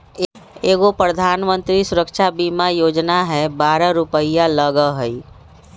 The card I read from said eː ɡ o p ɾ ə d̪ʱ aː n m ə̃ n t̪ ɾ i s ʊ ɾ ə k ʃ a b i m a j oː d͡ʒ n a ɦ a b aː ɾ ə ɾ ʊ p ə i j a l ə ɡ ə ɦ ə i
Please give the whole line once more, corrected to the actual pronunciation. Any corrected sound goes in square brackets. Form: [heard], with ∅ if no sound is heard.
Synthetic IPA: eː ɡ o p ɾ ə d̪ʱ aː n m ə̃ n t̪ ɾ i s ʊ ɾ ə k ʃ a b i m a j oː d͡ʒ n a ɦ [ɛ] b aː ɾ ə ɾ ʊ p ə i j a l ə ɡ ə ɦ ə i